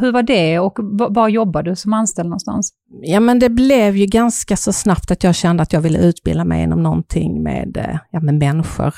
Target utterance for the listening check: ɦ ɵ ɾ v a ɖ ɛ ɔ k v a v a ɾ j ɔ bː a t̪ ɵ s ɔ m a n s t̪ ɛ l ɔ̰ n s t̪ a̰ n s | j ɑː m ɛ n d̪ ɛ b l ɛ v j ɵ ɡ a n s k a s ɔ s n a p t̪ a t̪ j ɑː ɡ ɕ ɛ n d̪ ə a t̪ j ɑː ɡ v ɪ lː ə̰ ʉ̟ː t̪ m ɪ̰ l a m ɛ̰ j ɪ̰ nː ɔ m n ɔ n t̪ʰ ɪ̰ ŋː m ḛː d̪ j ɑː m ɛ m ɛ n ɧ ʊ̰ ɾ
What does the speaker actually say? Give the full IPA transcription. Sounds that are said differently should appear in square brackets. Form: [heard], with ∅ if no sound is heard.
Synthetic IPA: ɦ ɵ ɾ v a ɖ ɛ ɔ k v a v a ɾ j ɔ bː a [d̪] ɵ s ɔ m a n s t̪ ɛ l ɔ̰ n s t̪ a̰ n s | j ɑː m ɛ n d̪ ɛ b l ɛ v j ɵ ɡ a n s k a s ɔ s n a p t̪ a t̪ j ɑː ɡ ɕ ɛ n d̪ ə a t̪ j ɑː ɡ v ɪ lː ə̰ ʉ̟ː t̪ [b] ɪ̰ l a m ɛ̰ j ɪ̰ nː ɔ m n ɔ n t̪ʰ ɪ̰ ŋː m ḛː d̪ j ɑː m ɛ m ɛ n ɧ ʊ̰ ɾ